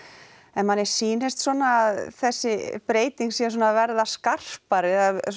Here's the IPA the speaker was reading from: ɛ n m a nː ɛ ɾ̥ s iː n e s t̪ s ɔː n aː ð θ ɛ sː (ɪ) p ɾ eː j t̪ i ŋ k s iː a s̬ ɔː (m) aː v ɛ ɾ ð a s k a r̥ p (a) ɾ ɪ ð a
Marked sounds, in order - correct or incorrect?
correct, incorrect: n, correct

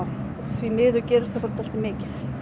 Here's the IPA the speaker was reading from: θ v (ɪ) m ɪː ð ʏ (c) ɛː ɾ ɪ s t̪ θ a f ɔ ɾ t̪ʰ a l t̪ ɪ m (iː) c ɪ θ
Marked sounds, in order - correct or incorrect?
incorrect: i, correct, incorrect: ɪː

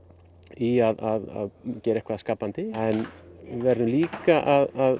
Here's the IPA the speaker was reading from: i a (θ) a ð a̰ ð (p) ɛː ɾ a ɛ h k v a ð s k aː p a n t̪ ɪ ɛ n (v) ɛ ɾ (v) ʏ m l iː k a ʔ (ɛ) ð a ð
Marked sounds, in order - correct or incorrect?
incorrect: ð, incorrect: c, correct, incorrect: ð, incorrect: a

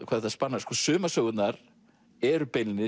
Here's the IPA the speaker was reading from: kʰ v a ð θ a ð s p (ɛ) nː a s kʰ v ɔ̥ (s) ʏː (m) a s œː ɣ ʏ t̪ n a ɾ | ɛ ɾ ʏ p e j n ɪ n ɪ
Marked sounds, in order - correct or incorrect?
incorrect: a, correct, correct

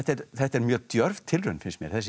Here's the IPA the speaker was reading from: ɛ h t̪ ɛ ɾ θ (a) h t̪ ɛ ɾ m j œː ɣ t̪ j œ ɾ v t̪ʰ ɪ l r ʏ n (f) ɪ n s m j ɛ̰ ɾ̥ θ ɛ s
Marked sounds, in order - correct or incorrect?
incorrect: ɛ, correct

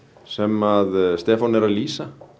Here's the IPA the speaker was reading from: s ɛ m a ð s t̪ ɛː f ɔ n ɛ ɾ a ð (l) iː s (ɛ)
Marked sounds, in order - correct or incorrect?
correct, incorrect: a

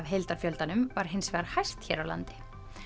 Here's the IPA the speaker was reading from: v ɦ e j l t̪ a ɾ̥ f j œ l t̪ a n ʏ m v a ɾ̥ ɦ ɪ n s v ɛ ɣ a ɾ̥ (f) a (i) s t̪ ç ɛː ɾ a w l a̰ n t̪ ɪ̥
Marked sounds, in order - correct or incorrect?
incorrect: h, incorrect: j

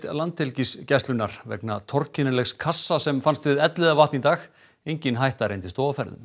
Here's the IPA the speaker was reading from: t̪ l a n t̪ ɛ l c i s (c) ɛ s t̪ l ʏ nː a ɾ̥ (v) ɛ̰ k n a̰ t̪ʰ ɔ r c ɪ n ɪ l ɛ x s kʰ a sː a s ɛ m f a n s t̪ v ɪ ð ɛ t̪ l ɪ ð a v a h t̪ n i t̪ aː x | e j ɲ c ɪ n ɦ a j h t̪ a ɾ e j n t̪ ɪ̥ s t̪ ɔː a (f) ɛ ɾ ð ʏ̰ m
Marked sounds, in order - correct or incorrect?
correct, correct, correct

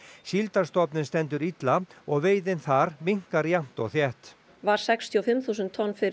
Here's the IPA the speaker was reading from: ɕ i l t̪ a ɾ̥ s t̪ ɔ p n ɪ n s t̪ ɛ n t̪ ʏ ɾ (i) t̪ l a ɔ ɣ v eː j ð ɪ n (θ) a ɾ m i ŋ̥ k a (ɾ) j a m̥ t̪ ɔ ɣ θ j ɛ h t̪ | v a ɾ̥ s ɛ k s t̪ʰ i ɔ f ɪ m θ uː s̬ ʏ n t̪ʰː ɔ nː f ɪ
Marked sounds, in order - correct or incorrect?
correct, correct, correct

